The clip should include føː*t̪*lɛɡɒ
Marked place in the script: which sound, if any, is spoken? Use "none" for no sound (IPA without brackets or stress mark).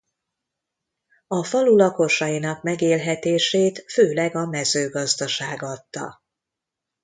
none